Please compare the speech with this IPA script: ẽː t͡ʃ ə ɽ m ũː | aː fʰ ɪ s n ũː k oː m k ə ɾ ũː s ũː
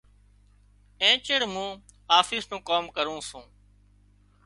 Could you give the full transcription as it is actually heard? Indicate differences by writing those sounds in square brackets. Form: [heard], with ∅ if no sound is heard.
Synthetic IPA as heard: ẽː t͡ʃ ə ɽ m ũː | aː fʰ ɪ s n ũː k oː m k ə ɾ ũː s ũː